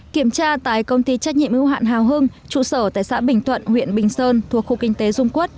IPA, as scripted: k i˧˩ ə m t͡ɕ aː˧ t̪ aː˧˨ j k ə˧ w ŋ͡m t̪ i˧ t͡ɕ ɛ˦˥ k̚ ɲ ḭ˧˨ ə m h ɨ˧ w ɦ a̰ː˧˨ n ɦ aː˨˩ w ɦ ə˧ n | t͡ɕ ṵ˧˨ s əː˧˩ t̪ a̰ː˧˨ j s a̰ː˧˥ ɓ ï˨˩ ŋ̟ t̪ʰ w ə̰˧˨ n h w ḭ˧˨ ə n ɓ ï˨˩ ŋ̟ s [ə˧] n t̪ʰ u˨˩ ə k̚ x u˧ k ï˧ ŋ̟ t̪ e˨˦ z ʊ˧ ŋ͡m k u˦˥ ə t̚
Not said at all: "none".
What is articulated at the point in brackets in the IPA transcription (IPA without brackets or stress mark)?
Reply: əː˧